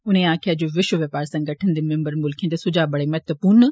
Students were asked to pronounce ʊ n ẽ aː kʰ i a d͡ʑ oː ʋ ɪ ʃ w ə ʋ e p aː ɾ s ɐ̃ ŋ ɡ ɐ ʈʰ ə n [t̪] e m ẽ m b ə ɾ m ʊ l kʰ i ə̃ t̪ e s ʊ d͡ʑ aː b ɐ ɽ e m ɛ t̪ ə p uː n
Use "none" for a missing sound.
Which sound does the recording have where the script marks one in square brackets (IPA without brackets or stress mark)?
d̪